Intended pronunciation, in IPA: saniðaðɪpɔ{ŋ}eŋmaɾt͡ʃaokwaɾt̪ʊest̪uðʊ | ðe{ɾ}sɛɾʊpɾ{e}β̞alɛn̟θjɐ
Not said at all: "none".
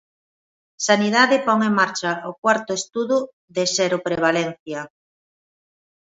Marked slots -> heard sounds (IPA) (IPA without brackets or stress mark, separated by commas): ŋ, none, e